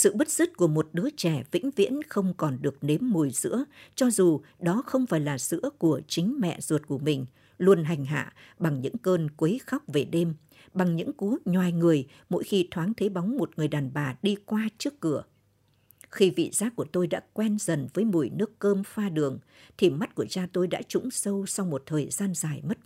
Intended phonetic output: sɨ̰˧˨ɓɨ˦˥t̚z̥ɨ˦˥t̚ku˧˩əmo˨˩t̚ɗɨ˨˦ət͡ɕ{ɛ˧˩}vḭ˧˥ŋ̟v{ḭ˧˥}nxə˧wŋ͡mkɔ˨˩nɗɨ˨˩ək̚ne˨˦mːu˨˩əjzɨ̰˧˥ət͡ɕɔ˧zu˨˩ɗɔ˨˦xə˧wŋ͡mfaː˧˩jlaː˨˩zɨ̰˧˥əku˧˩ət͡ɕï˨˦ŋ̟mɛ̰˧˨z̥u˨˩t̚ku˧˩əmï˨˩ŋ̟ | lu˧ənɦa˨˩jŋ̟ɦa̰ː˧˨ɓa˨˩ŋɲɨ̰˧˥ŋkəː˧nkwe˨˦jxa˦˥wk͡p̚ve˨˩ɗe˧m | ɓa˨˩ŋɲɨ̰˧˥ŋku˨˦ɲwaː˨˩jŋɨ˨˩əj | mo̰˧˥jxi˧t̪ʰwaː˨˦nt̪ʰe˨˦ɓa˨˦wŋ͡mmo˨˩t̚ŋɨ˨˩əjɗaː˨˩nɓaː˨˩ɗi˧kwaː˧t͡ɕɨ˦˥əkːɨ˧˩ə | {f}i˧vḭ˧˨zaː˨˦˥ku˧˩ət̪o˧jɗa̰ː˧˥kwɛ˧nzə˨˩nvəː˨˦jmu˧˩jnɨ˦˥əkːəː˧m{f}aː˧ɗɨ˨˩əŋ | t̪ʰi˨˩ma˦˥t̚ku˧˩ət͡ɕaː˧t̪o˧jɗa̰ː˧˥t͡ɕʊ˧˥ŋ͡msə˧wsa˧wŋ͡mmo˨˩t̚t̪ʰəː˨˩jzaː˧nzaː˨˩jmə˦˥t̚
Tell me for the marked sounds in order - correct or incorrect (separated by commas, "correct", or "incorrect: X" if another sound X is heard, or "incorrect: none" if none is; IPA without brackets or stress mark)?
correct, correct, incorrect: x, correct